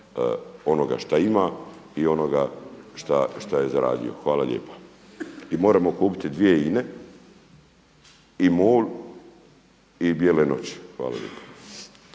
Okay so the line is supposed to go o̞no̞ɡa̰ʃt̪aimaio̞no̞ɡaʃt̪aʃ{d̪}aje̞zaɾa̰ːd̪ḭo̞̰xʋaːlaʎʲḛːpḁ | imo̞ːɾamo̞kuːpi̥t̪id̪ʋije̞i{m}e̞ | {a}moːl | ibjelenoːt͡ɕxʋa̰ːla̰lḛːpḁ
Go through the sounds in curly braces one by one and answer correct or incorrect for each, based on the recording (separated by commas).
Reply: incorrect, incorrect, incorrect